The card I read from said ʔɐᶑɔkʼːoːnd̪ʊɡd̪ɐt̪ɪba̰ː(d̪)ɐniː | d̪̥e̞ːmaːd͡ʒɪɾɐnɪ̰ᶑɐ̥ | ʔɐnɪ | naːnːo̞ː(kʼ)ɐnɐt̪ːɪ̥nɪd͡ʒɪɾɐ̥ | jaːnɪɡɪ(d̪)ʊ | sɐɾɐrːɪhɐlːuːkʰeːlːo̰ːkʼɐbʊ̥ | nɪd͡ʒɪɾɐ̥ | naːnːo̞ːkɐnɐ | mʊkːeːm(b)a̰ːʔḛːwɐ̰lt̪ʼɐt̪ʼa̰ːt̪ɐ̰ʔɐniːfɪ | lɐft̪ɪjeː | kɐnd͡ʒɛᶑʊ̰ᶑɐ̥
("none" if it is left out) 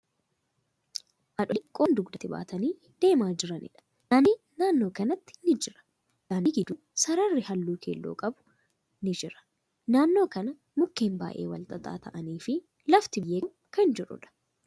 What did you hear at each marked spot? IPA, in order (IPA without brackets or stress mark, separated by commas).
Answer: t̪, k, d̪, b